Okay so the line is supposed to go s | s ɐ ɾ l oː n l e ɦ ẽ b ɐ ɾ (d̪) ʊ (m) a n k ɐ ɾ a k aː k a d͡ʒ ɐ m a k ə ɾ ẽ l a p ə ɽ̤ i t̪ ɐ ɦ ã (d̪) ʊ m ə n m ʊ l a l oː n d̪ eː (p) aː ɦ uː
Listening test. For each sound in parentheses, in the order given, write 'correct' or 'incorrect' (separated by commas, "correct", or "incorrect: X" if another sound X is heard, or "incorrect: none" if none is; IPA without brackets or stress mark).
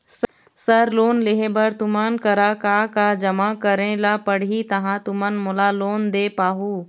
incorrect: t̪, correct, incorrect: t̪, correct